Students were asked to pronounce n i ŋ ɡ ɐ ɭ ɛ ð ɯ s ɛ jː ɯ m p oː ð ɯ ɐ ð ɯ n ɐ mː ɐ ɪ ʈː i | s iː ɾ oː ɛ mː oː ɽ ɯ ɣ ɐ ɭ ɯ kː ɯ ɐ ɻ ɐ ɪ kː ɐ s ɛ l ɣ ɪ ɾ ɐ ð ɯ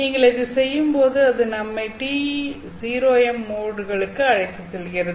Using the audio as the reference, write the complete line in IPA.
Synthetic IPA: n iː ŋ ɡ ɐ ɭ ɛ ð ɯ s ɛ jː ɯ m p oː ð ɯ ɐ ð ɯ n ɐ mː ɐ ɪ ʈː i | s iː ɾ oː ɛ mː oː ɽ ɯ ɣ ɐ ɭ ɯ kː ɯ ɐ ɻ ɐ ɪ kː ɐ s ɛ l ɣ ɪ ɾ ɐ ð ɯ